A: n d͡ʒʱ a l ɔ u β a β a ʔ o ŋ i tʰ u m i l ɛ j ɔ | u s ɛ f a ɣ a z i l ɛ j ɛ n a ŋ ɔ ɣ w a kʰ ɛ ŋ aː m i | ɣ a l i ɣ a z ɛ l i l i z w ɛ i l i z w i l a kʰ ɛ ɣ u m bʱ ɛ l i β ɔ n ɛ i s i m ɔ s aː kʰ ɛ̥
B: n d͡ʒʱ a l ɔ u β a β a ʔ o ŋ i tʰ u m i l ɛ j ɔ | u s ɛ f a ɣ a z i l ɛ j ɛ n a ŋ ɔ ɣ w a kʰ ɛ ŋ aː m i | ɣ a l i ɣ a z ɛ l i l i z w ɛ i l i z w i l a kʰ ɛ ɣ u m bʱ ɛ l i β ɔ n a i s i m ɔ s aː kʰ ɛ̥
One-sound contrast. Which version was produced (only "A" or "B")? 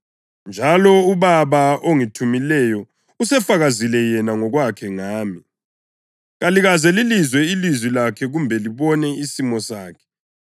A